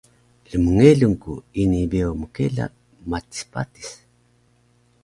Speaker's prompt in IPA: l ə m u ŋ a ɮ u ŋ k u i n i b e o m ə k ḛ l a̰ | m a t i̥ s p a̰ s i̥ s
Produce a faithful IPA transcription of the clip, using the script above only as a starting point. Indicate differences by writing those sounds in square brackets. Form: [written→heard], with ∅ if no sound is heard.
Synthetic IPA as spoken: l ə m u ŋ [a→e] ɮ u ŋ k u i n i b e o m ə k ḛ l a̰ | m a t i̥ s p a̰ [s→t] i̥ s